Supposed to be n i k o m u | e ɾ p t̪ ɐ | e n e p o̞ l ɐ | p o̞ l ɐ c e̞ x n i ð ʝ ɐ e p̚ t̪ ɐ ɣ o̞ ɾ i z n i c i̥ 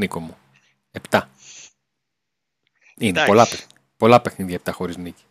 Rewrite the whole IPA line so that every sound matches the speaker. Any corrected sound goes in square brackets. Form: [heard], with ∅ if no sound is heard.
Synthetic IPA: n i k o m u | e [∅] p t̪ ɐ | [i] n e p o̞ l ɐ | p o̞ l ɐ [p] e̞ x n i ð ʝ ɐ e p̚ t̪ ɐ [x] o̞ ɾ i z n i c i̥